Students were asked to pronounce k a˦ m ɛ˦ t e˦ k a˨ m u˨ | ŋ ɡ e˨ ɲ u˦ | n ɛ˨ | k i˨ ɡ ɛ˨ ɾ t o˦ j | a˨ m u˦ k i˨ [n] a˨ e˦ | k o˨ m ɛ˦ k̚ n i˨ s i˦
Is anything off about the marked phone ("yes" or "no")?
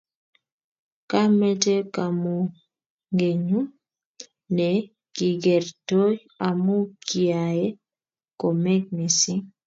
yes